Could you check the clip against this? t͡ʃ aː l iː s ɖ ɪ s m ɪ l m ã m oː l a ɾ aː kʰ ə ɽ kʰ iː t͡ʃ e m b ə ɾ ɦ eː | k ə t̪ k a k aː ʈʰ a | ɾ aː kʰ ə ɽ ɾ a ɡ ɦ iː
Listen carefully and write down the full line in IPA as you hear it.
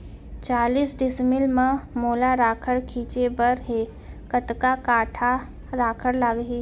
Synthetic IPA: t͡ʃ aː l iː s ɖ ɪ s m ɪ l m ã m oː l a ɾ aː kʰ ə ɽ kʰ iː t͡ʃ e b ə ɾ ɦ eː | k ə t̪ k a k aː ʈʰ a | ɾ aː kʰ ə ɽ l a ɡ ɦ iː